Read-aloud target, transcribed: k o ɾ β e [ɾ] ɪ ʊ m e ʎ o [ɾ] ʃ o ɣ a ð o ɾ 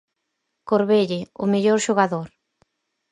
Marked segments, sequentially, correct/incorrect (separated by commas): incorrect, correct